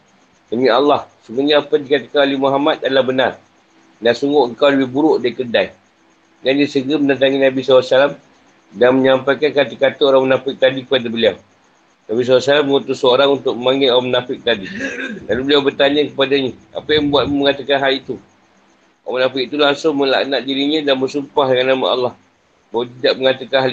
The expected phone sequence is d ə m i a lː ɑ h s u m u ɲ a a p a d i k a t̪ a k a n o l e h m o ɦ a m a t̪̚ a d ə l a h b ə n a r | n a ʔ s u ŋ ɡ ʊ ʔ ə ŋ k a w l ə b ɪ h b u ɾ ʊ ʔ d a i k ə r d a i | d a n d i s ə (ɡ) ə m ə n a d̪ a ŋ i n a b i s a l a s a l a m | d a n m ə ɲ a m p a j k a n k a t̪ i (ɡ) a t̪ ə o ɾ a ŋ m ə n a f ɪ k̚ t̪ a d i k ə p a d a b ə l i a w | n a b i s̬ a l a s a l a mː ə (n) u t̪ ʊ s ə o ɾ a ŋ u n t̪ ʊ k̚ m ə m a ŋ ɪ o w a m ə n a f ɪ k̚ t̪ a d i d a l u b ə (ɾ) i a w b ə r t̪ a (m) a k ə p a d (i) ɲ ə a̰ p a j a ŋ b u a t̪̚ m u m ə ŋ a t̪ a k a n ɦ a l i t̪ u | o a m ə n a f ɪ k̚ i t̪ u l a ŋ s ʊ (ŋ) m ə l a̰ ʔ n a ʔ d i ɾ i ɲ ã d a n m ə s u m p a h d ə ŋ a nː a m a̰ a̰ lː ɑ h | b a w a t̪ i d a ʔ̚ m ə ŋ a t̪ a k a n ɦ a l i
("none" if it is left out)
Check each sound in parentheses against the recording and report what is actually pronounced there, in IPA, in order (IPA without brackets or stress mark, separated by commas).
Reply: ɡ, k, ŋ, l, ɲ, a, ŋ